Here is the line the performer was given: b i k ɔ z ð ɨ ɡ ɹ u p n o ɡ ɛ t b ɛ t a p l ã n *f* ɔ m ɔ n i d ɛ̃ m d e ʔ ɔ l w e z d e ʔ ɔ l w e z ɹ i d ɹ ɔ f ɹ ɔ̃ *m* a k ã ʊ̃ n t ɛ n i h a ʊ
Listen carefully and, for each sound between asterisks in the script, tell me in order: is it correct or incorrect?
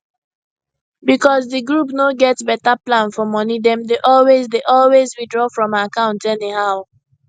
correct, correct

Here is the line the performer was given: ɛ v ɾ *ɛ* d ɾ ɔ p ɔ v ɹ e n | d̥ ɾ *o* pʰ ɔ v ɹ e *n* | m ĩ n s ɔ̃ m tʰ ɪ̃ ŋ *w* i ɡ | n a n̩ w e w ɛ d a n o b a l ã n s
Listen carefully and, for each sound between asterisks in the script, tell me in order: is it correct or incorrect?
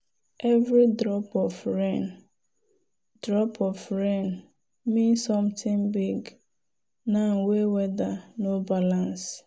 incorrect: i, incorrect: ɔ, correct, incorrect: b

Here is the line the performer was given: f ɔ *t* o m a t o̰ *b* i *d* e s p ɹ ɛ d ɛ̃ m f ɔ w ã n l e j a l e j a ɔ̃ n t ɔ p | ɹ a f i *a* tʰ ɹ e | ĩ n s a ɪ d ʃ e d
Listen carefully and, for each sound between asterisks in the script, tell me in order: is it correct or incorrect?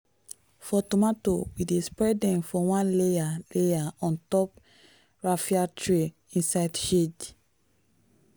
correct, incorrect: w, correct, correct

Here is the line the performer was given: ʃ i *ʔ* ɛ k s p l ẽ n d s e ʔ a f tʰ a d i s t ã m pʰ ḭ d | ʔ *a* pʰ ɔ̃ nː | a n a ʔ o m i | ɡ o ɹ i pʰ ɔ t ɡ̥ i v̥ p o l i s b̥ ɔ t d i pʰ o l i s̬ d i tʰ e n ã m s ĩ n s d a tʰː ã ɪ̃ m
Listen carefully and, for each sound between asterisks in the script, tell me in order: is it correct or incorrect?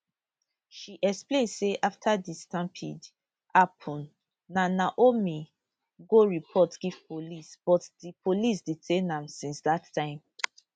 correct, correct

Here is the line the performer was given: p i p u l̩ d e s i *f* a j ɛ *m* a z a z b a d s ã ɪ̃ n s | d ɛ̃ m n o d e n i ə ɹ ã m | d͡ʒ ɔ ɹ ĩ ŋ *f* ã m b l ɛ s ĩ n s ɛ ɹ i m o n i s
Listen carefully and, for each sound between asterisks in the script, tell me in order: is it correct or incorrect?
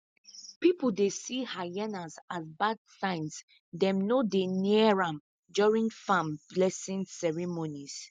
incorrect: h, incorrect: n, correct

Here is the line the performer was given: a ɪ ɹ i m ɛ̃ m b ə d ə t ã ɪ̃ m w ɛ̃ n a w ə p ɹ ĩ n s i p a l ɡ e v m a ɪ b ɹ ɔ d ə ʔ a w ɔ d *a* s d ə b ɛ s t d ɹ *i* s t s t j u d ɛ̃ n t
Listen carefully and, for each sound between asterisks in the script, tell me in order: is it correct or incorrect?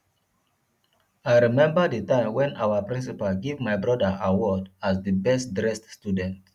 correct, incorrect: ɛ

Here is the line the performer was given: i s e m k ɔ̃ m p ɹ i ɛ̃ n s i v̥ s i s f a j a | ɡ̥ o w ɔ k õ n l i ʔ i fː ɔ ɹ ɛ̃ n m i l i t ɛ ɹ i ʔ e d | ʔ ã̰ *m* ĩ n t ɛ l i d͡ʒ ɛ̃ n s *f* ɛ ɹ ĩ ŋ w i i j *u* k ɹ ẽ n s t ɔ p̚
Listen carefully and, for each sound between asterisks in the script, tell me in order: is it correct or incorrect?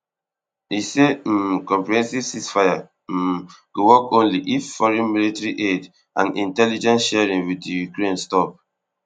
incorrect: n, incorrect: ʃ, correct

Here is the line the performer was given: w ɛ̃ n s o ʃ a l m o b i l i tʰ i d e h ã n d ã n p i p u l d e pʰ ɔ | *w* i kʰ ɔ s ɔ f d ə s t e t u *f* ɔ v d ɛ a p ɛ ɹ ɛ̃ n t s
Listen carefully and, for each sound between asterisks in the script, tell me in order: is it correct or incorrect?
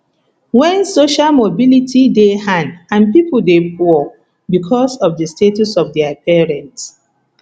incorrect: b, incorrect: s

